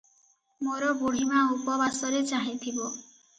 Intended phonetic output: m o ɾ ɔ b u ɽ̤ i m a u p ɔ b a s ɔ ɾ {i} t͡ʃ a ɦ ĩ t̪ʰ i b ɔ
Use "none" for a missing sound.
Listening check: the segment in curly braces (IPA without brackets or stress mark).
e